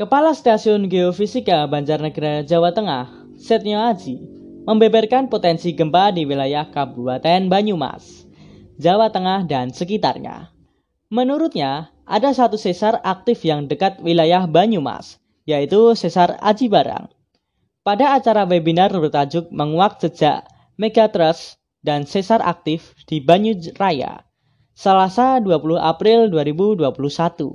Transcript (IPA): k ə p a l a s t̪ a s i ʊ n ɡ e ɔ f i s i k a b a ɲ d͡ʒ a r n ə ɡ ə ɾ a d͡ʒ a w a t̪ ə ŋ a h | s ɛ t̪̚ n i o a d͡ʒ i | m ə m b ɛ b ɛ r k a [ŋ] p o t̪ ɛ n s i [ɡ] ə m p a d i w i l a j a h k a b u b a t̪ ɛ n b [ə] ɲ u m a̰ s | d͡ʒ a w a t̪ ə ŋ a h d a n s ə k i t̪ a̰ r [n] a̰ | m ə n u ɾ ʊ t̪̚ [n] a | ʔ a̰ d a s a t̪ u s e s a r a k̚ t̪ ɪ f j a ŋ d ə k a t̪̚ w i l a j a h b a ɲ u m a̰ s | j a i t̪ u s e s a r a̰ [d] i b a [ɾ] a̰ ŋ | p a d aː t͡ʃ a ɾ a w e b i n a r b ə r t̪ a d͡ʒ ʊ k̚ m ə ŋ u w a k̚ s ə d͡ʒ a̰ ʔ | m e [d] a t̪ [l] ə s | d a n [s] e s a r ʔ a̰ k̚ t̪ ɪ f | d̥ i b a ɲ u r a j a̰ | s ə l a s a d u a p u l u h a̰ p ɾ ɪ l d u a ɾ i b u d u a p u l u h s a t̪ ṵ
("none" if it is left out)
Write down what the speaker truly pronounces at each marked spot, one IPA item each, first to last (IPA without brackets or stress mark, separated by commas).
n, ɡ, a, ɲ, ɲ, d͡ʒ, ɾ, ɡ, ɾ, s